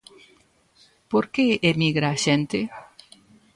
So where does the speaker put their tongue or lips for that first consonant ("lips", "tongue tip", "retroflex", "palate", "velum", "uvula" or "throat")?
lips